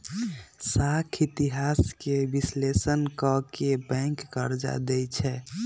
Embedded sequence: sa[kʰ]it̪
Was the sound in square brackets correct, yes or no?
yes